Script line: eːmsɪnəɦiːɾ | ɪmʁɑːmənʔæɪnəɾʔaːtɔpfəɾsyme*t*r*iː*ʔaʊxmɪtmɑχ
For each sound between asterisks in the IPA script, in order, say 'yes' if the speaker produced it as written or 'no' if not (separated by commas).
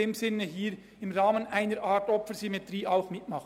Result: yes, yes